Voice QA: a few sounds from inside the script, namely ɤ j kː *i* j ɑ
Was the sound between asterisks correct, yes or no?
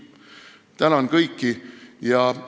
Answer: yes